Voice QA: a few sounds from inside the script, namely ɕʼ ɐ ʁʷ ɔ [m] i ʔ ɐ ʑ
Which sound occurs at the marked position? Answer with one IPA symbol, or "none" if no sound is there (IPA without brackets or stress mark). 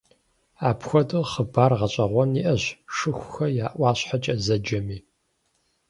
n